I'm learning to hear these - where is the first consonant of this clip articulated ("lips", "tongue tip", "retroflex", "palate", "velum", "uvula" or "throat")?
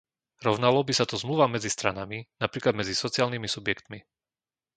tongue tip